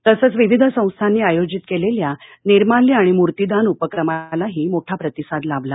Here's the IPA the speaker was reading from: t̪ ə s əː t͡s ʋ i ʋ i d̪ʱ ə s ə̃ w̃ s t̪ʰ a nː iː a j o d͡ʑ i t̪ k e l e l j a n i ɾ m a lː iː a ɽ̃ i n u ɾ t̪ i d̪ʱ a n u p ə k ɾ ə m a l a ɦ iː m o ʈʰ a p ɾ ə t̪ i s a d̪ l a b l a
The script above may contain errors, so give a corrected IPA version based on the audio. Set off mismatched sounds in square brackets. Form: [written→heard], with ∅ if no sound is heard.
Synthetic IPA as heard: t̪ ə s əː t͡s ʋ i ʋ i d̪ʱ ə s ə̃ w̃ s t̪ʰ a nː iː a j o d͡ʑ i t̪ k e l e l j a n i ɾ m a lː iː a ɽ̃ i [n→m] u ɾ t̪ i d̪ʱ a n u p ə k ɾ ə m a l a ɦ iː m o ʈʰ a p ɾ ə t̪ i s a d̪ l a b l a